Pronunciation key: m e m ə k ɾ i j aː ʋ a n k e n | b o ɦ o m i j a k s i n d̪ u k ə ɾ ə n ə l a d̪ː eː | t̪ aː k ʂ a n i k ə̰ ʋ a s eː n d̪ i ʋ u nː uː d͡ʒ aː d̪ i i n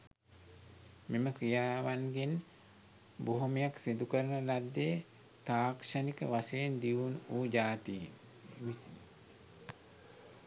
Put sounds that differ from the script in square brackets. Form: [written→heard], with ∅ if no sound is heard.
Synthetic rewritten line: m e m ə k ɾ i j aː ʋ a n [k→ɡ] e n | b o ɦ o m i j a k s i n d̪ u k ə ɾ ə n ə l a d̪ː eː | t̪ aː k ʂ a n i k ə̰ ʋ a s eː n d̪ i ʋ u [nː→n] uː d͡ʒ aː [d̪→t̪] i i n

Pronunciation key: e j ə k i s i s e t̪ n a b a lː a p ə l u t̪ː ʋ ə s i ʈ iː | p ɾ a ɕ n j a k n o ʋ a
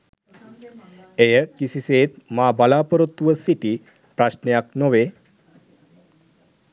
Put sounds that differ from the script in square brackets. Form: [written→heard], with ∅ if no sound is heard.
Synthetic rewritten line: e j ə k i s i s e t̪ [n→m] a b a [lː→l] a p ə [l→ɾ] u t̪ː ʋ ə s i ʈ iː | p ɾ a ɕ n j a k n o ʋ [a→e]

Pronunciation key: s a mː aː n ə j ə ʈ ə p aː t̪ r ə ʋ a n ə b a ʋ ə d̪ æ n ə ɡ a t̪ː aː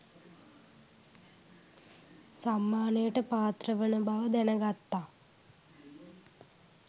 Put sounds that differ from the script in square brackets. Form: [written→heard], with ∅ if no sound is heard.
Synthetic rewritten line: s a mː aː n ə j ə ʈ ə p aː t̪ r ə ʋ [a→ə] n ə b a ʋ ə d̪ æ n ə ɡ a t̪ː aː

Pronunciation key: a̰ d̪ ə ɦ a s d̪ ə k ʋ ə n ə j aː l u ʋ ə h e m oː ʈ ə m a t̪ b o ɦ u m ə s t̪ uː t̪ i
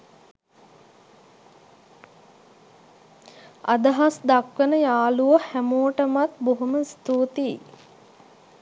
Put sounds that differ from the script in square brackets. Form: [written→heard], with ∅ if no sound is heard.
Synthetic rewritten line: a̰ d̪ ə ɦ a s d̪ [ə→a] k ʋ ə n ə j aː l u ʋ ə h [e→æ] m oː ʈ ə m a t̪ b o ɦ u m ə s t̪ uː t̪ i

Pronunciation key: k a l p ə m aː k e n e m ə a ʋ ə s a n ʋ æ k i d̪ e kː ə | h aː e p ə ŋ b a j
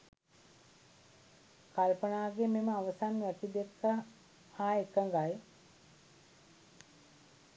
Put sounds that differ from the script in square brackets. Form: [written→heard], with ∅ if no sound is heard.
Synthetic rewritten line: k a l p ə [m→n] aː [k→ɡ] e [n→m] e m ə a ʋ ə s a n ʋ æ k i d̪ e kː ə | h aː e [p→k] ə ŋ [b→ɡ] a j

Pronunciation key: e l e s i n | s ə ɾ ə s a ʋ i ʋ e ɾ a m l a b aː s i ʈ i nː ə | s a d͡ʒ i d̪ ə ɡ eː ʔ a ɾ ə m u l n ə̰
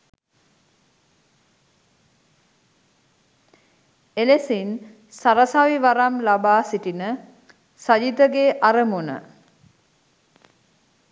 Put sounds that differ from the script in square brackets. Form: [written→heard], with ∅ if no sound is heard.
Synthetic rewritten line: e l e s i n | s [ə→a] ɾ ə s a ʋ i ʋ [e→a] ɾ a m l a b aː s i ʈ i [nː→n] ə | s a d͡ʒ i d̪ ə ɡ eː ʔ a ɾ ə m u [l→∅] n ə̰

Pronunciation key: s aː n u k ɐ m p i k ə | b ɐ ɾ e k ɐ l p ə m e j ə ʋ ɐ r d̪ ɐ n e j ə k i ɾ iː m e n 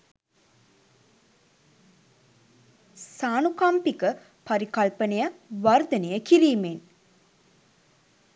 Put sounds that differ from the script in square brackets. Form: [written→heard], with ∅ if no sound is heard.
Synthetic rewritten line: s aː n u k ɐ m p i k ə | [b→p] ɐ ɾ [e→i] k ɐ l p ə [m→n] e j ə ʋ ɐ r d̪ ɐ n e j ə k i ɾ iː m e n

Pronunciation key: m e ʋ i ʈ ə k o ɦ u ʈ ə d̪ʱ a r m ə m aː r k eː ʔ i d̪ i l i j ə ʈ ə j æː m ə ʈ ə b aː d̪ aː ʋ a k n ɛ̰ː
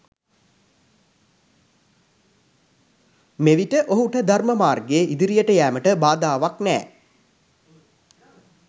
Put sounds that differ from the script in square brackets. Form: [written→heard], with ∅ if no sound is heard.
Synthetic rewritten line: m e ʋ i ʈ ə [k→ʔ] o ɦ u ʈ ə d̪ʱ a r m ə m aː r [k→ɡ] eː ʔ i d̪ i [l→ɾ] i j ə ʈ ə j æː m ə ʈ ə b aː d̪ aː ʋ a k n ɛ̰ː

